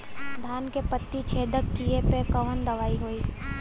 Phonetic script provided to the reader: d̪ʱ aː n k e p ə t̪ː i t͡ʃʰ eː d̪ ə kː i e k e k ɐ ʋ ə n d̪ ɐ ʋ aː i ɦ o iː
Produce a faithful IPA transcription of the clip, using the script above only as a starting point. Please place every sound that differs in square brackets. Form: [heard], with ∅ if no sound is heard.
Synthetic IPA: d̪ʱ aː n k e p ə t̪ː i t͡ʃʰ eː d̪ ə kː i e [p] e k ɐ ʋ ə n d̪ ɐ ʋ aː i ɦ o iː

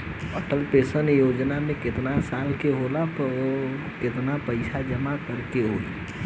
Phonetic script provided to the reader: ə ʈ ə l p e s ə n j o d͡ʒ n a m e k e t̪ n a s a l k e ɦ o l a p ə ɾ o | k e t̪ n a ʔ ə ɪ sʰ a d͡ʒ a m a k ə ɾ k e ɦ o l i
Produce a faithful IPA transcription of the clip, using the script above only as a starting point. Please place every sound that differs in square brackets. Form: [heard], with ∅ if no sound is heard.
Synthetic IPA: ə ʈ ə l p e s ə n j o d͡ʒ n a m e k e t̪ n a s a l k e ɦ o l a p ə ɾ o | k e t̪ n a [p] ə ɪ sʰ a d͡ʒ [ə] m a k ə ɾ k e ɦ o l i

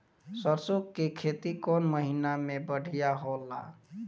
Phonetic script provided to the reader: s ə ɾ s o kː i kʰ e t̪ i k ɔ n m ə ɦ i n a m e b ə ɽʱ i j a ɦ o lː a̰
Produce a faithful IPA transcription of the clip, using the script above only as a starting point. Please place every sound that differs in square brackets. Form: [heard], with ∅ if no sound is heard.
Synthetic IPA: s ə ɾ s o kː [e] kʰ e t̪ i k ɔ n m ə ɦ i n a m e b ə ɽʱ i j a ɦ o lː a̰

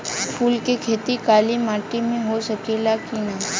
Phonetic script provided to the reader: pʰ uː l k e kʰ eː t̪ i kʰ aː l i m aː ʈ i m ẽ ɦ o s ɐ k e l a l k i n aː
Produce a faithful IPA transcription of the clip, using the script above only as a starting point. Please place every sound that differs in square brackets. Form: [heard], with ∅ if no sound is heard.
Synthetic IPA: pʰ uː l k e kʰ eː t̪ i [k] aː l i m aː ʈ i m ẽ ɦ o s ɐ k e l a [∅] k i n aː

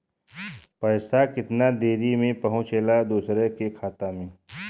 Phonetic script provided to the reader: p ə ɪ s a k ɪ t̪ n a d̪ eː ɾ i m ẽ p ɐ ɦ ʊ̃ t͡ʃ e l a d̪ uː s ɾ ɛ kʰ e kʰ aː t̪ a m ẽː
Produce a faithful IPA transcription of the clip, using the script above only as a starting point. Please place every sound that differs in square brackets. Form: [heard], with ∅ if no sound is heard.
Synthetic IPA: p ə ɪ s a k ɪ t̪ n a d̪ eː ɾ i m ẽ p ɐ ɦ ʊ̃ t͡ʃ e l a d̪ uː s ɾ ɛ [k] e kʰ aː t̪ a m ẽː

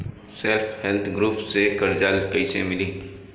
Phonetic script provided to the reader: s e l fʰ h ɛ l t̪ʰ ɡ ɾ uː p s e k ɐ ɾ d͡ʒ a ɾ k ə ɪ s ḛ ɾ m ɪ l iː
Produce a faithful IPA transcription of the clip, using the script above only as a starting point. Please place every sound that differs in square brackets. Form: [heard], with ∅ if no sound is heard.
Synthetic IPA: s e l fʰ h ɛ l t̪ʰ ɡ ɾ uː p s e k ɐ ɾ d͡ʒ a [l] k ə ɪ s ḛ [∅] m ɪ l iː

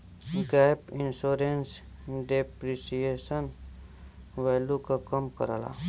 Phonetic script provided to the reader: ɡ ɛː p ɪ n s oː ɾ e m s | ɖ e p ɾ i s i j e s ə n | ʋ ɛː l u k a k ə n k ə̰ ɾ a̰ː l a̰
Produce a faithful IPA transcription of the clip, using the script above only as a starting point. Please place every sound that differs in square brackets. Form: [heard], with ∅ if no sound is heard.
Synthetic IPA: ɡ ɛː p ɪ n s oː ɾ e [n] s | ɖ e p ɾ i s i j e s ə n | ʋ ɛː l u k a k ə [m] k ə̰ ɾ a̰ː l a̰

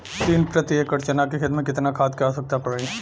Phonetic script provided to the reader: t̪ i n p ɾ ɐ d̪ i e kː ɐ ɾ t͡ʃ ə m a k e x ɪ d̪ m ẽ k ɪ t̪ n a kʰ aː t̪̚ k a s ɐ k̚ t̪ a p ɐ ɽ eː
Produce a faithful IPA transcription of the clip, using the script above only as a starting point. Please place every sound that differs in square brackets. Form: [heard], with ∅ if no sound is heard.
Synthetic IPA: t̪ [iː] n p ɾ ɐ [t̪] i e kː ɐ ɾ t͡ʃ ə [n] a k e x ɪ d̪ m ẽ k ɪ t̪ n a kʰ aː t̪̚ k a s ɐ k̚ t̪ a p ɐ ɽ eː

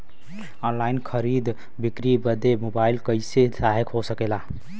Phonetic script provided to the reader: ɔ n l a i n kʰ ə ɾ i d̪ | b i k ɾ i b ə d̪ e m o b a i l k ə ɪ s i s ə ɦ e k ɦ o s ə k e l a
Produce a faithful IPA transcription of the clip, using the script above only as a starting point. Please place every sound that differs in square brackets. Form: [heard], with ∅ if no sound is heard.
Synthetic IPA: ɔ n l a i n kʰ ə ɾ i d̪ | b i k ɾ i b ə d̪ e m o b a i l k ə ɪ s [e] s [a] ɦ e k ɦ o s ə k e l a

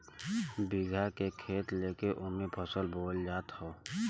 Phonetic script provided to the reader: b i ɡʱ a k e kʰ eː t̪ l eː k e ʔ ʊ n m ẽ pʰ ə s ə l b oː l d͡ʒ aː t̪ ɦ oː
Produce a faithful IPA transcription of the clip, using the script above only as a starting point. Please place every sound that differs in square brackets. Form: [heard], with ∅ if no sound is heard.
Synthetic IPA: b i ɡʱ a k e kʰ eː t̪ l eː k e ʔ ʊ n m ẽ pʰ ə s ə l b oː l d͡ʒ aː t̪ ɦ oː

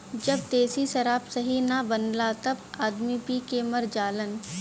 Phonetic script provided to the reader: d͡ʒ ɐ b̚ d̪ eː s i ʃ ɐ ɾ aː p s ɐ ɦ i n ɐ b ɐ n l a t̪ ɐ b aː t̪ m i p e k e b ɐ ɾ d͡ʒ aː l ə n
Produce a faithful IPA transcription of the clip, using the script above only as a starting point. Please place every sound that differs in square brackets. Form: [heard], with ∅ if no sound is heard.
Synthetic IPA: d͡ʒ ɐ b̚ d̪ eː s i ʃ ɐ ɾ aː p s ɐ ɦ i n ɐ b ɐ n l a t̪ ɐ b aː [d̪] m i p [i] k e [m] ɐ ɾ d͡ʒ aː l ə n

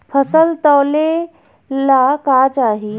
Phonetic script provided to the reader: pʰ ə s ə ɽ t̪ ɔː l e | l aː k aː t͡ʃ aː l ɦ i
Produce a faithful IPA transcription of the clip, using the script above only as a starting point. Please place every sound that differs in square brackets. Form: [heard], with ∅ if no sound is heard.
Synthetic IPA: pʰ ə s ə [l] t̪ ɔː l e | l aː k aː t͡ʃ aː [∅] ɦ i

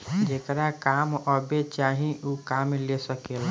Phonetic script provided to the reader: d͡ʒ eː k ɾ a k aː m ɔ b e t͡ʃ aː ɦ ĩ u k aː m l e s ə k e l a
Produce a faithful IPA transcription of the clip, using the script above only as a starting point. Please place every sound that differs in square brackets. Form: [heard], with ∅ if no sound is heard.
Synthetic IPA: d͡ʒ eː k ɾ a k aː m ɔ b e t͡ʃ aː ɦ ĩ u k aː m l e s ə k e l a

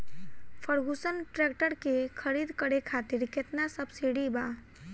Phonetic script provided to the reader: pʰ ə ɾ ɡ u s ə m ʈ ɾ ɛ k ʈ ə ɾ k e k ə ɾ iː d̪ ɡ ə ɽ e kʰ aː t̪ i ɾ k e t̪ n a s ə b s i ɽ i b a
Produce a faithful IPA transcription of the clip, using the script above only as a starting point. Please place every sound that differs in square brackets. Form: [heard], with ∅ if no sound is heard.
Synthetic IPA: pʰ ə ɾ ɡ u s ə [n] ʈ ɾ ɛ k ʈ ə ɾ k e [kʰ] ə ɾ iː d̪ [k] ə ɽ e kʰ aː t̪ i ɾ k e t̪ n a s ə b s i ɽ i b a

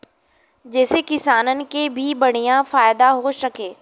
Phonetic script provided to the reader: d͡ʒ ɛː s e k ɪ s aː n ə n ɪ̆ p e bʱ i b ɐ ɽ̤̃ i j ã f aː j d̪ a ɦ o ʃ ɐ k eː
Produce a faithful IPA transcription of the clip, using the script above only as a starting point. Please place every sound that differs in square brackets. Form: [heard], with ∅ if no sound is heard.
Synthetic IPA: d͡ʒ ɛː s e k ɪ s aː n ə n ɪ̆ [k] e bʱ i b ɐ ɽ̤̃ i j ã f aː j d̪ a ɦ o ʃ ɐ k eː

